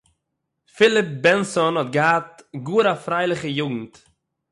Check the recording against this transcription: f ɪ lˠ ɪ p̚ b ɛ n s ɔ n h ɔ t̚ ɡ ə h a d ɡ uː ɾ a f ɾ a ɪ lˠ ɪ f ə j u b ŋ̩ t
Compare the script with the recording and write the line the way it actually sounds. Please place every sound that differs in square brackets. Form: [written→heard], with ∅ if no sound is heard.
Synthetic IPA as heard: f ɪ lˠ ɪ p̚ b ɛ n s ɔ n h ɔ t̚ ɡ ə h a [d→t] ɡ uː ɾ a f ɾ a ɪ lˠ ɪ [f→χ] ə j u [b→ɡ] ŋ̩ t